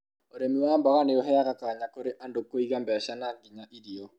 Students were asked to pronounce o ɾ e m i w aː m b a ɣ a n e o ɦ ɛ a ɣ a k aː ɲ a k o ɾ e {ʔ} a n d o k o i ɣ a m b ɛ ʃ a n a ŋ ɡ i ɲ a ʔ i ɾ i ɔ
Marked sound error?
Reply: no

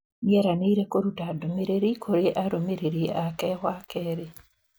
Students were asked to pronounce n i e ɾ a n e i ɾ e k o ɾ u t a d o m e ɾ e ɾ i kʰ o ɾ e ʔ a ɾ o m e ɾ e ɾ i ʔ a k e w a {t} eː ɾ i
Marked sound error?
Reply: yes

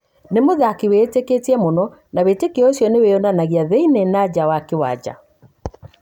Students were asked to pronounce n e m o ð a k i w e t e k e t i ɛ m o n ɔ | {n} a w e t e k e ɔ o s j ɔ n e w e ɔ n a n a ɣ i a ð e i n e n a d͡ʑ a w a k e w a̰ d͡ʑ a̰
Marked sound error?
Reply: no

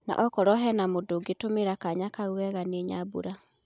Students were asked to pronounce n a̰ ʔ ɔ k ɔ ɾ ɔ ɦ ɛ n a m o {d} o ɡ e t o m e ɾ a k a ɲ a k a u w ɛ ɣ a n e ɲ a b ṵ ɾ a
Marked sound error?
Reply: no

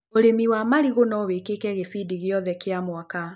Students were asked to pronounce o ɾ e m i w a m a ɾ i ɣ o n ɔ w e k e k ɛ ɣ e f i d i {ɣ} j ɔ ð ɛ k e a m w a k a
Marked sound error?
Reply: no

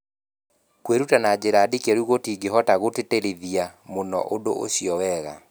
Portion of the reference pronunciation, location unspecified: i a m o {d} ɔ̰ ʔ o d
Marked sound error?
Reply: yes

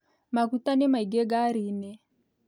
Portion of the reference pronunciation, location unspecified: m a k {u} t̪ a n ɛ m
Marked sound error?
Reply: no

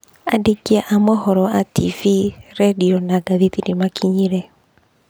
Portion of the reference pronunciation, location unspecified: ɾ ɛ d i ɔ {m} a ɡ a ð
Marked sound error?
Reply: yes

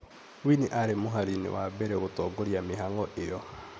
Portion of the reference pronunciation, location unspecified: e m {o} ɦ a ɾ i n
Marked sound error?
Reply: no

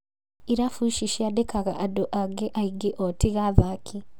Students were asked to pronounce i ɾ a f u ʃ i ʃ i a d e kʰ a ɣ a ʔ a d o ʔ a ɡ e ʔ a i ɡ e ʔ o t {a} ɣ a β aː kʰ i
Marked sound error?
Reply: yes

